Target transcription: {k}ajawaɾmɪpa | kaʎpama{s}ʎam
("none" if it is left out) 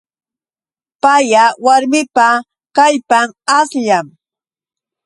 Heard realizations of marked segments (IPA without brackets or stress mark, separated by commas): p, s